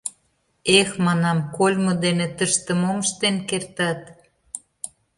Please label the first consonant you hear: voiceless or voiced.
voiceless